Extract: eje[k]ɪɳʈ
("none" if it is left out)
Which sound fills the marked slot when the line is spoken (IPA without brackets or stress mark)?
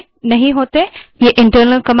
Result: ʔ